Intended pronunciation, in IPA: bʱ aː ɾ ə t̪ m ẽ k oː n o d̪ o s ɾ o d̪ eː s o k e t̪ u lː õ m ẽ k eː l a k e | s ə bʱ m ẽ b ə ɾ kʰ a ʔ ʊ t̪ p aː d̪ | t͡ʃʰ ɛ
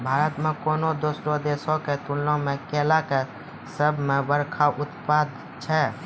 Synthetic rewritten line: bʱ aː ɾ ə t̪ m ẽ k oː n o d̪ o s ɾ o d̪ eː s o k e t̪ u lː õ m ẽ k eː l a k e | s ə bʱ m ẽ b ə ɾ kʰ a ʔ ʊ t̪ p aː d̪ | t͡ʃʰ ɛ